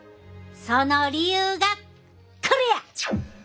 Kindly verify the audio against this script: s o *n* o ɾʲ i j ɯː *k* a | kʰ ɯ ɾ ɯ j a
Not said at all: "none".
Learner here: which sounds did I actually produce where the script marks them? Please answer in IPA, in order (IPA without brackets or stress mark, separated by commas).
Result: n, ɡ